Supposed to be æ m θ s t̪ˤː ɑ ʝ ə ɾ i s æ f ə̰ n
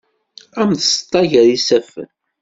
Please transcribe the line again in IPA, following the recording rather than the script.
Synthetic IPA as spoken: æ m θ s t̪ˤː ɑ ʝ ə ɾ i s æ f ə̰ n